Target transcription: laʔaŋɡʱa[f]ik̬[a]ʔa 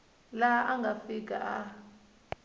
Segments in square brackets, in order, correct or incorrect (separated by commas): correct, correct